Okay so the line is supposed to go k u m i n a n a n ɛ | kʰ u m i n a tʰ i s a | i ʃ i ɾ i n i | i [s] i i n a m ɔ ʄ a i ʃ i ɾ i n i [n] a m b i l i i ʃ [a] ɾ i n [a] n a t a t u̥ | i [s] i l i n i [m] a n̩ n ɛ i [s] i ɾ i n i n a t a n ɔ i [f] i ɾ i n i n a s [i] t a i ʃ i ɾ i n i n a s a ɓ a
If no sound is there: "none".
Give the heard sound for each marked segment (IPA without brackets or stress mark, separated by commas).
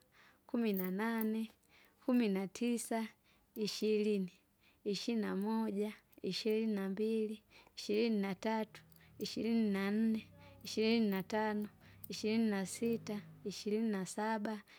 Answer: ʃ, n, i, i, ʃ, n, ʃ, ʃ, i